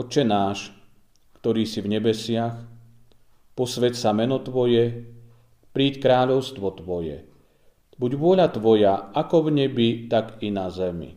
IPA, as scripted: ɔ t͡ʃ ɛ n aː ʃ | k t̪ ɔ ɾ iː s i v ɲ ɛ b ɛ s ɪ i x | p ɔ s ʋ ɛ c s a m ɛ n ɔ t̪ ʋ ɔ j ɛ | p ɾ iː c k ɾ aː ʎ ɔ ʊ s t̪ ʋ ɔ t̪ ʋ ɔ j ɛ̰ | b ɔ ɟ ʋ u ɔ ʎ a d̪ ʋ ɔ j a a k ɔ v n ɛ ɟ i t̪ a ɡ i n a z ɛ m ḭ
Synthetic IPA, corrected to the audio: ɔ t͡ʃ ɛ n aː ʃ | k t̪ ɔ ɾ iː s i v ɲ ɛ b ɛ s ɪ a x | p ɔ s ʋ ɛ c s a m ɛ n ɔ t̪ ʋ ɔ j ɛ | p ɾ iː c k ɾ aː ʎ ɔ ʊ s t̪ ʋ ɔ t̪ ʋ ɔ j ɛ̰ | b u ɟ ʋ ʊ ɔ ʎ a t̪ ʋ ɔ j a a k ɔ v ɲ ɛ b i t̪ a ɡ i n a z ɛ m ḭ